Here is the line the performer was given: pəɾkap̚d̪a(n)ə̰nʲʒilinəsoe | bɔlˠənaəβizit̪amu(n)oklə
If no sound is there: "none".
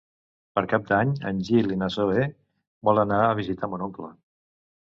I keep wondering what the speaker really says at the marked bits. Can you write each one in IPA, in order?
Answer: ɲ, n

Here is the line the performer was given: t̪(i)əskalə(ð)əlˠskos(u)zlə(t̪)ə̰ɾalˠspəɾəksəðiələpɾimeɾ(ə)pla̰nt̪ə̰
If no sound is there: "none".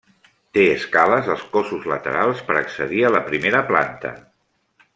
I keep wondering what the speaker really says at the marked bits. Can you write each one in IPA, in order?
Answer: e, z, u, t̪, ə

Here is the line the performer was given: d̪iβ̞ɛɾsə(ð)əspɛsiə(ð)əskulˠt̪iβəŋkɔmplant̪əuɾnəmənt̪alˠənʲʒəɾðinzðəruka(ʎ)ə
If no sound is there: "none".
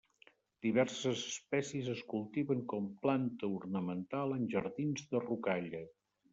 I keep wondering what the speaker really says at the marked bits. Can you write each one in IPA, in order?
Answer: z, z, ʎ

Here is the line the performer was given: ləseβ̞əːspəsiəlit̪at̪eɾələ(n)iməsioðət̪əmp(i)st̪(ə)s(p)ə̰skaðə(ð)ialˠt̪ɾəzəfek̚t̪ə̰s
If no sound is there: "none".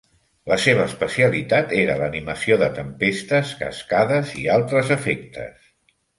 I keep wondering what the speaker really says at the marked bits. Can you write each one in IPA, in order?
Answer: n, e, ə, k, z

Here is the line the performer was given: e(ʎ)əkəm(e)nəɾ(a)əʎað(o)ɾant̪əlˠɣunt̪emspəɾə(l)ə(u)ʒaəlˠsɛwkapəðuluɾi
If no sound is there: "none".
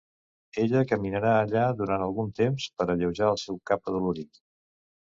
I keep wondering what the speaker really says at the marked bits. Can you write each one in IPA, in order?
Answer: ʎ, i, a, u, ʎ, w

